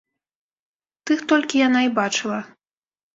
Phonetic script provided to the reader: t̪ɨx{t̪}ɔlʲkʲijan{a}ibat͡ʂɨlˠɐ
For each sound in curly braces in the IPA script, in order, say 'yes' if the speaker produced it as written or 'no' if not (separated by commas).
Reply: yes, yes